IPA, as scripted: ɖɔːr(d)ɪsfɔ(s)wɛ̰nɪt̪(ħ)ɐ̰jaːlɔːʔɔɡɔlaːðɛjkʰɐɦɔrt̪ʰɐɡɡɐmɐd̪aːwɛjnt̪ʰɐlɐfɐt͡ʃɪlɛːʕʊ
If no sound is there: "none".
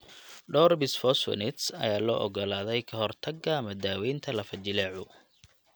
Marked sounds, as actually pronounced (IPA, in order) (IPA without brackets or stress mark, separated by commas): b, s, s